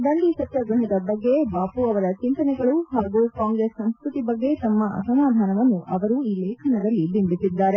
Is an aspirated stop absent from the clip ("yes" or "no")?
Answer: no